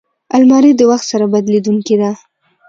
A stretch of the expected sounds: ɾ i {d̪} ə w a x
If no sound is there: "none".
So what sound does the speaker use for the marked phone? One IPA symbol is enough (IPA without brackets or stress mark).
d̪